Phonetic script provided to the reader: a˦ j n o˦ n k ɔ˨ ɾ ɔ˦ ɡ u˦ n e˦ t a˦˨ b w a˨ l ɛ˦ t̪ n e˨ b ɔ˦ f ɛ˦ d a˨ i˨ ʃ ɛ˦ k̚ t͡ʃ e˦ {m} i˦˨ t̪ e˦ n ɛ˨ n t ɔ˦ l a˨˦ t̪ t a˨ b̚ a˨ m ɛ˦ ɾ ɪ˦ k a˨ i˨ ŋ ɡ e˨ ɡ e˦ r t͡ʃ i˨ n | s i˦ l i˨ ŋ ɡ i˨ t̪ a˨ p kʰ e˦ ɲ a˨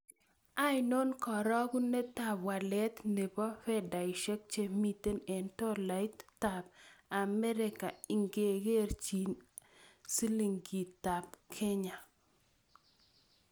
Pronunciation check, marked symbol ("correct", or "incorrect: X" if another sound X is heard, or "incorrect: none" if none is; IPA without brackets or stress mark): correct